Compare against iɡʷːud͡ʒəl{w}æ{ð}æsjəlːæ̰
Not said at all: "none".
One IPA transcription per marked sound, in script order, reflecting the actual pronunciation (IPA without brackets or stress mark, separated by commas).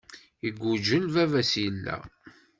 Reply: v, v